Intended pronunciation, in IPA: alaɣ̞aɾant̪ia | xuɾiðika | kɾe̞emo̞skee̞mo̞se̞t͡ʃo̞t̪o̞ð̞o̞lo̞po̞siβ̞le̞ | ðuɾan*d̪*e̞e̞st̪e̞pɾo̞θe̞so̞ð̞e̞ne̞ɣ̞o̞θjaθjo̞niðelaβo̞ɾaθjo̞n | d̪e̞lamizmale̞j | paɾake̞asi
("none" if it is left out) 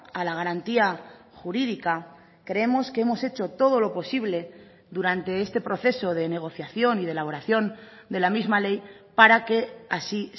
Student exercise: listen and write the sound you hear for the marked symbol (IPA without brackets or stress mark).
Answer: t̪